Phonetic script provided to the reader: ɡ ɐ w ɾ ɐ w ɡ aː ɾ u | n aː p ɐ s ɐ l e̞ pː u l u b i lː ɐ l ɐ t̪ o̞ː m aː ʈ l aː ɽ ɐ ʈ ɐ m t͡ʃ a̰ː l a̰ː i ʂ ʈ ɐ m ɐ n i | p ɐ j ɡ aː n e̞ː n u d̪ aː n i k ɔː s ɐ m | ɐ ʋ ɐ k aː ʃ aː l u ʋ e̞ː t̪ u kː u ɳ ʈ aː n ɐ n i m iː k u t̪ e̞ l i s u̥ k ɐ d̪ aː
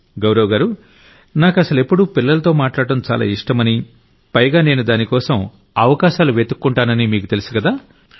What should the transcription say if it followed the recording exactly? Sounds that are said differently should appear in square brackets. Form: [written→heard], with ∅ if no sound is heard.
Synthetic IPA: ɡ ɐ w ɾ ɐ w ɡ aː ɾ u | n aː [p→k] ɐ s ɐ l e̞ pː u [l→ɽ] u [b→p] i lː ɐ l ɐ t̪ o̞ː m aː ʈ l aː ɽ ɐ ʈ ɐ m t͡ʃ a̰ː l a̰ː i ʂ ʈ ɐ m ɐ n i | p ɐ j ɡ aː n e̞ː n u d̪ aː n i k ɔː s ɐ m | ɐ ʋ ɐ k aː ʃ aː l u ʋ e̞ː t̪ u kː u ɳ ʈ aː n ɐ n i m iː k u t̪ e̞ l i s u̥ k ɐ d̪ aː